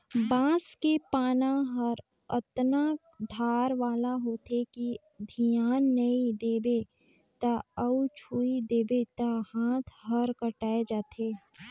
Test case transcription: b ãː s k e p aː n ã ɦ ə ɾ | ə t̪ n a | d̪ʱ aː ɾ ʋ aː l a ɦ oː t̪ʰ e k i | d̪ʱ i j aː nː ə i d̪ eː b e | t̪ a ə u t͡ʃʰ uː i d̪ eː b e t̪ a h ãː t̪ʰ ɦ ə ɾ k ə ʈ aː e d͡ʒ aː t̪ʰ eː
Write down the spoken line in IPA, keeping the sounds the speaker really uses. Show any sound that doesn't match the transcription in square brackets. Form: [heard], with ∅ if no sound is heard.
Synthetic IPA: b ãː s k e p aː n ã ɦ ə ɾ | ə t̪ n a | d̪ʱ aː ɾ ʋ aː l a ɦ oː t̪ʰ e k i | d̪ʱ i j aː nː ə i d̪ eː b e | t̪ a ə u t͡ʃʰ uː i d̪ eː b e t̪ a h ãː t̪ʰ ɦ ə ɾ k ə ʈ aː e d͡ʒ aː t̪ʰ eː